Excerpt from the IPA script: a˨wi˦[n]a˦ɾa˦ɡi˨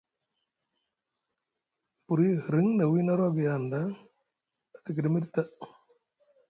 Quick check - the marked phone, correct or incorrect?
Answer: correct